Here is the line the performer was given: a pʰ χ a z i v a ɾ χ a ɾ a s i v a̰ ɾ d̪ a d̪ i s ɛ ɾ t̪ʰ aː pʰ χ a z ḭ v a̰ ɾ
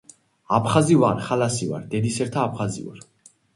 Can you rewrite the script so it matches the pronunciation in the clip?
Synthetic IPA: a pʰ χ a z i v a ɾ χ a l a s i v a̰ ɾ d̪ ɛ d̪ i s ɛ ɾ t̪ʰ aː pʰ χ a z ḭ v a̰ ɾ